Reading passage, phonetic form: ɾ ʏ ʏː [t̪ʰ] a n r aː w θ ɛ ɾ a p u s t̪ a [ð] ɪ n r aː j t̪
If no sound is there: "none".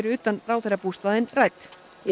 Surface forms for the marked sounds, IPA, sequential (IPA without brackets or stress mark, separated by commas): t̪, ð